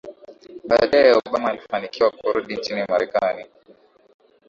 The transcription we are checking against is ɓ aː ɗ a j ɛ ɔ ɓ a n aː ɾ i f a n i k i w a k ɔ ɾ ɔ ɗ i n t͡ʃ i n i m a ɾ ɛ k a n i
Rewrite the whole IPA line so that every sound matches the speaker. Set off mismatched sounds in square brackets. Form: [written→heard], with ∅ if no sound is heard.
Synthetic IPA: ɓ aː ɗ a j ɛ ɔ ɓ a [n→m] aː [ɾ→l] i f a n i k i w a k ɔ ɾ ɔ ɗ i n t͡ʃ i n i m a ɾ ɛ k a n i